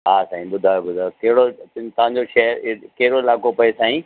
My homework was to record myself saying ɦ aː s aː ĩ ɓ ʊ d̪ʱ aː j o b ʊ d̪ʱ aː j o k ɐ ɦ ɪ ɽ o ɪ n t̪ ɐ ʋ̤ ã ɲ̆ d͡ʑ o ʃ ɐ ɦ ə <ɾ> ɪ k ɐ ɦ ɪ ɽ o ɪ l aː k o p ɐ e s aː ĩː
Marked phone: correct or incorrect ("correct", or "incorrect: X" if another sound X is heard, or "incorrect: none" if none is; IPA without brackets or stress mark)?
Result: correct